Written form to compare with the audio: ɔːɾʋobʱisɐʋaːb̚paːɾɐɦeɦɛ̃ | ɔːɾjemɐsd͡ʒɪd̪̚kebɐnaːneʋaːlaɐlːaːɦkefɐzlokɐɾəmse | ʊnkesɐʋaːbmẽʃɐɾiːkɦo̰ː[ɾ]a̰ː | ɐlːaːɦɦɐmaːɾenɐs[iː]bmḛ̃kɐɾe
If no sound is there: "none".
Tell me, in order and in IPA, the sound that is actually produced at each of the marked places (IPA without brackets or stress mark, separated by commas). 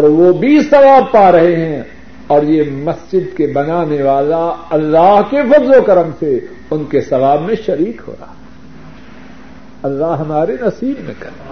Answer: ɾ, iː